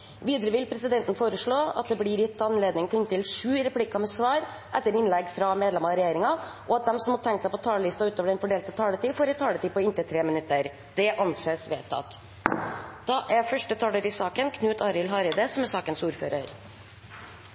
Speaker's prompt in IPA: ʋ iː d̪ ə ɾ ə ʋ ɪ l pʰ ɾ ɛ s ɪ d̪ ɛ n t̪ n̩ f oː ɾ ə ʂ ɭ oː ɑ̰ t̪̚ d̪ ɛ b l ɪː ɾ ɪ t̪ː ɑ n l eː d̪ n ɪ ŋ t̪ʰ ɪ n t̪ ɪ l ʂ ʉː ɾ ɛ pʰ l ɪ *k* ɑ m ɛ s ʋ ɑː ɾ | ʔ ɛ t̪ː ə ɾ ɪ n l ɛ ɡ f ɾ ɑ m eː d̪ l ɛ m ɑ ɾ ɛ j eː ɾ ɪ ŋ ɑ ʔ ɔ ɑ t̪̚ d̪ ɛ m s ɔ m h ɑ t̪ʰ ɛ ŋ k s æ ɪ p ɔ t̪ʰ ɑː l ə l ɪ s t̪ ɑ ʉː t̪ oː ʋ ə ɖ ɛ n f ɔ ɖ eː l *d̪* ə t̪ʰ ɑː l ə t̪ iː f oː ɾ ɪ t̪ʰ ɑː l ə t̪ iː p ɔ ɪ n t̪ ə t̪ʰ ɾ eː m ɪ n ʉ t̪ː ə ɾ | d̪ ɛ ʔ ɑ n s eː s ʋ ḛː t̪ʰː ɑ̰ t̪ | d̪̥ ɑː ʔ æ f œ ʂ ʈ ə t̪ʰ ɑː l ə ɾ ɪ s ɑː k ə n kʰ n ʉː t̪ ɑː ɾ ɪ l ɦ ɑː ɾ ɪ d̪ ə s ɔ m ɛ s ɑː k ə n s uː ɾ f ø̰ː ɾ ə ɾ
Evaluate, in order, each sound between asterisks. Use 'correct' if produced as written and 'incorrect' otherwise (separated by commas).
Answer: correct, incorrect